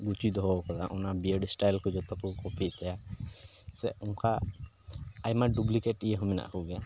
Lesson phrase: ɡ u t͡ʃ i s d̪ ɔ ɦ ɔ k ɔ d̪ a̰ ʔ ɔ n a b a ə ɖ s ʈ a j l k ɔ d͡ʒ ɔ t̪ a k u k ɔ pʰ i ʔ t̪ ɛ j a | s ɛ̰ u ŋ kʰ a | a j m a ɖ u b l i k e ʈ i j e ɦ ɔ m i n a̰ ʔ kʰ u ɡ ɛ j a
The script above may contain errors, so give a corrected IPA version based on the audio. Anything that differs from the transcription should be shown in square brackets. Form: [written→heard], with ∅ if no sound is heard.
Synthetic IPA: ɡ u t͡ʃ i [s→∅] d̪ ɔ ɦ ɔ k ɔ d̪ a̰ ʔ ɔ n a b [a→i] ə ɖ s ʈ a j l k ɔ d͡ʒ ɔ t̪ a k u k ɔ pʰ i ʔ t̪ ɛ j a | s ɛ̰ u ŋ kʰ a | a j m a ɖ u b l i k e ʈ i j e ɦ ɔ m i n a̰ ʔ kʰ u ɡ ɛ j a